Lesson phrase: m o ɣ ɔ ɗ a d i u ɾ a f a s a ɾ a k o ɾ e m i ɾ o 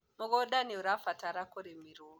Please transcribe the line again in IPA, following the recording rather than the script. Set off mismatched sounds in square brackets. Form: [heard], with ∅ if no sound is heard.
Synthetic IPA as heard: m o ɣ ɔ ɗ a [n] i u ɾ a f a [t] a ɾ a k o ɾ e m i ɾ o